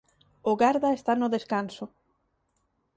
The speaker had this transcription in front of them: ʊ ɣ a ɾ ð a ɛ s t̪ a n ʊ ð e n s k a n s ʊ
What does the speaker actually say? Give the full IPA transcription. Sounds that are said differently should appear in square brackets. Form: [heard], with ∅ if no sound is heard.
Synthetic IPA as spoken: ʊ ɣ a ɾ ð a [e] s t̪ a n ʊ ð e [∅] s k a n s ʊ